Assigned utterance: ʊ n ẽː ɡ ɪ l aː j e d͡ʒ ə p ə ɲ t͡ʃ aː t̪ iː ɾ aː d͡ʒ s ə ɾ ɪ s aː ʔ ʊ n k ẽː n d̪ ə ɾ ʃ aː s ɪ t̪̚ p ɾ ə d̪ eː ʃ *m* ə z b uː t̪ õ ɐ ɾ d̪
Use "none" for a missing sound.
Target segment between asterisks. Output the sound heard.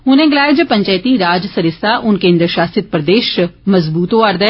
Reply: m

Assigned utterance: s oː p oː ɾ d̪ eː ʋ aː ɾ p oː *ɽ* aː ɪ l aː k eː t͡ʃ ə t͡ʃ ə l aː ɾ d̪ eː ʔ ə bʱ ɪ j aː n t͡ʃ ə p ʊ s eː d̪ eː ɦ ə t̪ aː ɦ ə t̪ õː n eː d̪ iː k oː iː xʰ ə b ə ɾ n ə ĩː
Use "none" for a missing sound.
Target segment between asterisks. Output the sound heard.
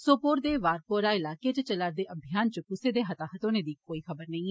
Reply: ɾ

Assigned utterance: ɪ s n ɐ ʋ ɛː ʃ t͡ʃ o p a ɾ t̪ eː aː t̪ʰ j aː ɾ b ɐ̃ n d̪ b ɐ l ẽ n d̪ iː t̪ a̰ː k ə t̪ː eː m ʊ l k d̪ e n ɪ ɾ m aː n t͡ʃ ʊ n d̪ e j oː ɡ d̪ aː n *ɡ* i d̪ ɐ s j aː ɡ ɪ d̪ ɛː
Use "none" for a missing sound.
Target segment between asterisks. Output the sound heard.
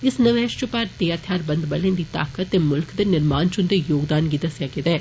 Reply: ɡ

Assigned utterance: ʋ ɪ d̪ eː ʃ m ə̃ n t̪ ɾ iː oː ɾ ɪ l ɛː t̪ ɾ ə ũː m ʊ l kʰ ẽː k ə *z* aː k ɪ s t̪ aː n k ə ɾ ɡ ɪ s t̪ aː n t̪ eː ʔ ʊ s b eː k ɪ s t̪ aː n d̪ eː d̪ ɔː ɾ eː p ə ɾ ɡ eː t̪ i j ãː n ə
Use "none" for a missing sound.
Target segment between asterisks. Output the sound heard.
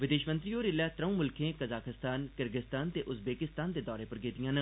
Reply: z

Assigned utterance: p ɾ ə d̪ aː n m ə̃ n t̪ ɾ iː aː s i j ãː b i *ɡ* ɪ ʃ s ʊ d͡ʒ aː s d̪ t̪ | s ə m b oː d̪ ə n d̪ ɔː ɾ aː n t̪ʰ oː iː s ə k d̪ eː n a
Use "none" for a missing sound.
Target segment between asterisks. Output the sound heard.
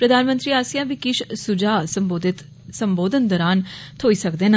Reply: k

